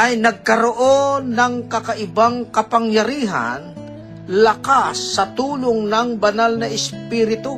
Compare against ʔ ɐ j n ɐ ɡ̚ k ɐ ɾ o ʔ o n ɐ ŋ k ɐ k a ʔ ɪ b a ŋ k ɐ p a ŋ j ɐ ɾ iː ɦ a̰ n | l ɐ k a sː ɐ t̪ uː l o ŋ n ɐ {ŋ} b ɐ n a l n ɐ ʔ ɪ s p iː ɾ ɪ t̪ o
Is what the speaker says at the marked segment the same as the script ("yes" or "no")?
yes